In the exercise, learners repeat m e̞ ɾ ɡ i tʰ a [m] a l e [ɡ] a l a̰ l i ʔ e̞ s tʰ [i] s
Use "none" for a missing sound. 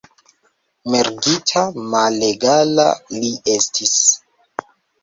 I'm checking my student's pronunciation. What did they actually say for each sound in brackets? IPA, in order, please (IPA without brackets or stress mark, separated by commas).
m, ɡ, i